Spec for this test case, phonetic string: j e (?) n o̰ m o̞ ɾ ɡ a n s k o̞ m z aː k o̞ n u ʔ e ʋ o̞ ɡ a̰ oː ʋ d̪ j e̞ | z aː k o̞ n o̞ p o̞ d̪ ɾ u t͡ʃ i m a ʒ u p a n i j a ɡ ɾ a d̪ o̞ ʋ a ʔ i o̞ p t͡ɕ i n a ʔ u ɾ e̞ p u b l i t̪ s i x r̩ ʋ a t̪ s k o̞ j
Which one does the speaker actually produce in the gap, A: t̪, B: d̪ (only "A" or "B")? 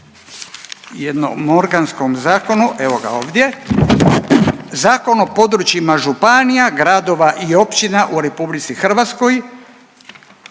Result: B